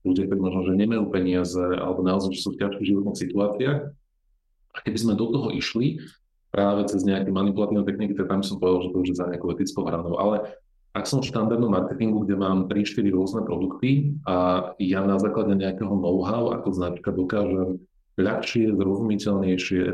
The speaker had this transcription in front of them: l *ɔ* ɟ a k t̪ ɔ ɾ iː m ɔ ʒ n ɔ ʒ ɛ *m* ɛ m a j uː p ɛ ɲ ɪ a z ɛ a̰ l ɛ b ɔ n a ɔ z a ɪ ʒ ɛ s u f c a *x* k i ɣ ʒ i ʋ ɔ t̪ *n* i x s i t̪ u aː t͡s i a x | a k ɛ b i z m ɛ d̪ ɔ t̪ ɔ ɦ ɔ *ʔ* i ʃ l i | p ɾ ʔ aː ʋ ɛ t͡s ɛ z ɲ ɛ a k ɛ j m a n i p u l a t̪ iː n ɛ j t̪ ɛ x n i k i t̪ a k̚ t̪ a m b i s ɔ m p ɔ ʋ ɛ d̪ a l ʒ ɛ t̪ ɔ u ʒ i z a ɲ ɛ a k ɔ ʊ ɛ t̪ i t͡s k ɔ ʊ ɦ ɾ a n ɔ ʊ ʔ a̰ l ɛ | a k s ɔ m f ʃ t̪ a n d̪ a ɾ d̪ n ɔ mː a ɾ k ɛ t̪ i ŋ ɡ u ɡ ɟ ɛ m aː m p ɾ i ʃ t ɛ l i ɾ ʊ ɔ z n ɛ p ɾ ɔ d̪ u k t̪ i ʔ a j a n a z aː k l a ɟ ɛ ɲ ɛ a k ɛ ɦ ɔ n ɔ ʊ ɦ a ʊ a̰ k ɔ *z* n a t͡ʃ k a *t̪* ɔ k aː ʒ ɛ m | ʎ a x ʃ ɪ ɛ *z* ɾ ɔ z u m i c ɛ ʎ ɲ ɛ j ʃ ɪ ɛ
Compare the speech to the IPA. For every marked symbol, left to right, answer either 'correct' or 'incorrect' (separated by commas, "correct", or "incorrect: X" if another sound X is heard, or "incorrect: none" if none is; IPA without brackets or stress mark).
incorrect: u, incorrect: ɲ, incorrect: ʃ, correct, correct, correct, incorrect: d̪, correct